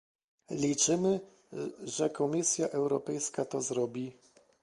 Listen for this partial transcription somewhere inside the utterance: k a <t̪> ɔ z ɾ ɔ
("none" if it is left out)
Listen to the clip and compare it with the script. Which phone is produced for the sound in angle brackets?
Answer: t̪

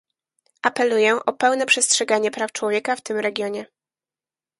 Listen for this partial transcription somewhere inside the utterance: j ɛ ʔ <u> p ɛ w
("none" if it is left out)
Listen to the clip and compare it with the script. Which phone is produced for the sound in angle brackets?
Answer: ɔ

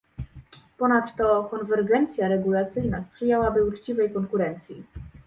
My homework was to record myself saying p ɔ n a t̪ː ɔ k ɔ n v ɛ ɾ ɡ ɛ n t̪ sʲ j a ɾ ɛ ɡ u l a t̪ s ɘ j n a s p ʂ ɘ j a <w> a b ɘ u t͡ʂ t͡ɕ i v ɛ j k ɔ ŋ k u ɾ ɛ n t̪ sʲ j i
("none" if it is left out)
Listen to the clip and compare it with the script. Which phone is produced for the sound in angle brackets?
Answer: w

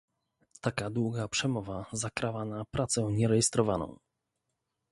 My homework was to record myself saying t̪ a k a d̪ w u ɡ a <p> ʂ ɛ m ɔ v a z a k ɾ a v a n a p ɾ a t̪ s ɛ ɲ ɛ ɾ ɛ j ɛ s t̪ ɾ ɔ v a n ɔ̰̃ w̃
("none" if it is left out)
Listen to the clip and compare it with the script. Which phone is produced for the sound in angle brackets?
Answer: p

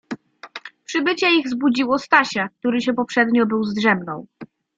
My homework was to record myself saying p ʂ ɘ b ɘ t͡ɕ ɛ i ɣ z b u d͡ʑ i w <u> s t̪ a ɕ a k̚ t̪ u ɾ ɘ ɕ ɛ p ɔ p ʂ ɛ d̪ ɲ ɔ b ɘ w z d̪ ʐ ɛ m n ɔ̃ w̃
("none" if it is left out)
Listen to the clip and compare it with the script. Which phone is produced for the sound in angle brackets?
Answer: ɔ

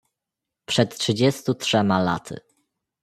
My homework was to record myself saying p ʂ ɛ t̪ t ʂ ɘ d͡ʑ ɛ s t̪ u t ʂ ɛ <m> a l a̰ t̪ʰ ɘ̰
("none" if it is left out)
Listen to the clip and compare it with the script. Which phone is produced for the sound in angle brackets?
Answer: m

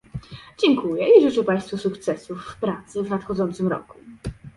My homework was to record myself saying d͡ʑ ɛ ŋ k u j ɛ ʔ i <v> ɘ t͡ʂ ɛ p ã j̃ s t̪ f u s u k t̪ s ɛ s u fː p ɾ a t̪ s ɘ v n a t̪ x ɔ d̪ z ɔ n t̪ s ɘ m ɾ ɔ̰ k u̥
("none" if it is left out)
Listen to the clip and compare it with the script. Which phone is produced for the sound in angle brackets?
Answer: ʐ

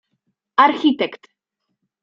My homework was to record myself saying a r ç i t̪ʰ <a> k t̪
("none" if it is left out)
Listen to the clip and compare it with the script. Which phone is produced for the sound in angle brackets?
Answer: ɛ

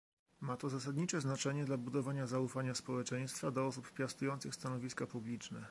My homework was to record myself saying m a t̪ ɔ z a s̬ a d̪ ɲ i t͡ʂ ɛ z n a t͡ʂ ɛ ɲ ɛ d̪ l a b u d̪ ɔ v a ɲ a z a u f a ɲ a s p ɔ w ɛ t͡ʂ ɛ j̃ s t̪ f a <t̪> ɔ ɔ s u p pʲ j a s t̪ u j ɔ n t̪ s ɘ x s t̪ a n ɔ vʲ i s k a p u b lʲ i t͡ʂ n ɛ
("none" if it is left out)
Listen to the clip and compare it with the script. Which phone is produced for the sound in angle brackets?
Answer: d̪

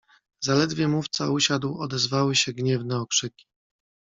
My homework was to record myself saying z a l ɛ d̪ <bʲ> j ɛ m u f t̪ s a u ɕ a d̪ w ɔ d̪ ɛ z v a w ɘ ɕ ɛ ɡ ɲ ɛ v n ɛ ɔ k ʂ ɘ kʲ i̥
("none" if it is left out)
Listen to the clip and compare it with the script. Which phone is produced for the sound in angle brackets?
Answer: vʲ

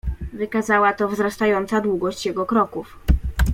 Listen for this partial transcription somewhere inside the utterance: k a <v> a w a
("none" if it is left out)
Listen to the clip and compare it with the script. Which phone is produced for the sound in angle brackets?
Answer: z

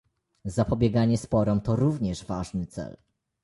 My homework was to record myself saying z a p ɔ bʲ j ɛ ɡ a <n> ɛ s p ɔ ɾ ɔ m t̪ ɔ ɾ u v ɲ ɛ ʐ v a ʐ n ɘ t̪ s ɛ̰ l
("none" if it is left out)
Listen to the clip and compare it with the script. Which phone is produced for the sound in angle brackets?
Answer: ɲ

